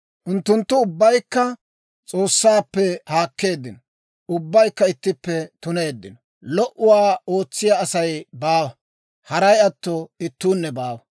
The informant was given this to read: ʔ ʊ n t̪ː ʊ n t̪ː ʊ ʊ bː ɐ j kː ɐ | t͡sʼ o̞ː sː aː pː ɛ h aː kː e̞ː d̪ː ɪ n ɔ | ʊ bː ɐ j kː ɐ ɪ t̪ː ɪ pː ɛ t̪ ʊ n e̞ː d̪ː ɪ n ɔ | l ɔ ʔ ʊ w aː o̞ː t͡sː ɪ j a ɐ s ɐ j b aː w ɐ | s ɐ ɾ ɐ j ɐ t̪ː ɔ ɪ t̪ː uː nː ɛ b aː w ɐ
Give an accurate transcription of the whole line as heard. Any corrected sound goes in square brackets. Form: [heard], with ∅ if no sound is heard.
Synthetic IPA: ʔ ʊ n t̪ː ʊ n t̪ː ʊ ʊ bː ɐ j kː ɐ | t͡sʼ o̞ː sː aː pː ɛ h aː kː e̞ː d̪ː ɪ n ɔ | ʊ bː ɐ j kː ɐ ɪ t̪ː ɪ pː ɛ t̪ ʊ n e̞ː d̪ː ɪ n ɔ | l ɔ ʔ ʊ w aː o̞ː t͡sː ɪ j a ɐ s ɐ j b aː w ɐ | [h] ɐ ɾ ɐ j ɐ t̪ː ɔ ɪ t̪ː uː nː ɛ b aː w ɐ

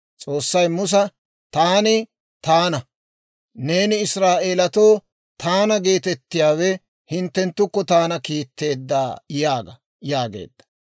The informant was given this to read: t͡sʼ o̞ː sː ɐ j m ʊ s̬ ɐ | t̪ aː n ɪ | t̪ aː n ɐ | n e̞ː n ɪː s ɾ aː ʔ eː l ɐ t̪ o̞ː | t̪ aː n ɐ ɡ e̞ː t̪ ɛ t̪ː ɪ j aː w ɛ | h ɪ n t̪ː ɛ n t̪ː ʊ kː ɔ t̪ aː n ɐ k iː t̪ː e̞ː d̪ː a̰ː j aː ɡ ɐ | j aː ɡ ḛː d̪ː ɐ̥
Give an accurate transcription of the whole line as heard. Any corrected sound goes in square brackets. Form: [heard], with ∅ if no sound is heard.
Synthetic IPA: t͡sʼ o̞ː sː ɐ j m ʊ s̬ ɐ | t̪ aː n ɪ | t̪ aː n ɐ | n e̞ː n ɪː s ɾ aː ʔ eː l ɐ t̪ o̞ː | t̪ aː n ɐ ɡ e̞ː t̪ ɛ t̪ː ɪ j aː w ɛ | h ɪ n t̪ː ɛ n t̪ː ʊ kː ɔ t̪ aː n ɐ k iː t̪ː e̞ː d̪ː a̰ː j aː ɡ ɐ | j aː ɡ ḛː d̪ː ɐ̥

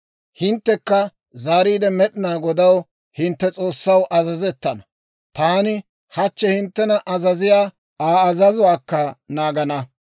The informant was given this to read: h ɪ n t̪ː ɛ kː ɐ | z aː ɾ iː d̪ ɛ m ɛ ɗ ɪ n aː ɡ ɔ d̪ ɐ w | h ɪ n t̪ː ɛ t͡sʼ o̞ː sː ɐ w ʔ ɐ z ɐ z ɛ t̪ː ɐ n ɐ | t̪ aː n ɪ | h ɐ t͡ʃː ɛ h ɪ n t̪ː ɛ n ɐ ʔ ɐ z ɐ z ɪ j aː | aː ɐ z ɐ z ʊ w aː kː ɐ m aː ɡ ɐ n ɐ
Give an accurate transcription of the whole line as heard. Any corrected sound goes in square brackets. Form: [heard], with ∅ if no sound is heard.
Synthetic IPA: h ɪ n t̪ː ɛ kː ɐ | z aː ɾ iː d̪ ɛ m ɛ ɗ ɪ n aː ɡ ɔ d̪ ɐ w | h ɪ n t̪ː ɛ t͡sʼ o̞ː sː ɐ w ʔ ɐ z ɐ z ɛ t̪ː ɐ n ɐ | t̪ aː n ɪ | h ɐ t͡ʃː ɛ h ɪ n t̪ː ɛ n ɐ ʔ ɐ z ɐ z ɪ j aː | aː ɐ z ɐ z ʊ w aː kː ɐ [n] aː ɡ ɐ n ɐ

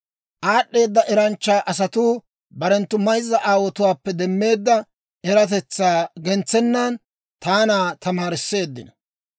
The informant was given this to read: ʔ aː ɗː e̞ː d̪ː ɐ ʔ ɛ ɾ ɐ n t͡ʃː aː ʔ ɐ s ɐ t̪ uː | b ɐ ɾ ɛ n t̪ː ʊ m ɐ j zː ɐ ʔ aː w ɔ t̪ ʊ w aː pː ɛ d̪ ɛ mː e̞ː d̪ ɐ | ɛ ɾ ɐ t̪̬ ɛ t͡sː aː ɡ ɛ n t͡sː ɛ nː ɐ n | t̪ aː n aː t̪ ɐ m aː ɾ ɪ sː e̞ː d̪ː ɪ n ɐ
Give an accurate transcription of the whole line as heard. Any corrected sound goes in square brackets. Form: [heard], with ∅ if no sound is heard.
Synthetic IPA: ʔ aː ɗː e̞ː d̪ː ɐ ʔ ɛ ɾ ɐ n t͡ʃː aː ʔ ɐ s ɐ t̪ uː | b ɐ ɾ ɛ n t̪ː ʊ m ɐ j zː ɐ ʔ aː w ɔ t̪ ʊ w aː pː ɛ d̪ ɛ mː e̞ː [d̪ː] ɐ | ɛ ɾ ɐ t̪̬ ɛ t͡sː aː ɡ ɛ n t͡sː ɛ nː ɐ n | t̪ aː n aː t̪ ɐ m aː ɾ ɪ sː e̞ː d̪ː ɪ n ɐ

